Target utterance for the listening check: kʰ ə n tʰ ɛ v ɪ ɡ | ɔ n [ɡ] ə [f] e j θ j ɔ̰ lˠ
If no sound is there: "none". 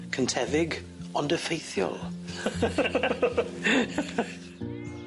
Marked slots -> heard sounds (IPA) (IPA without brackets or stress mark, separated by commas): d, f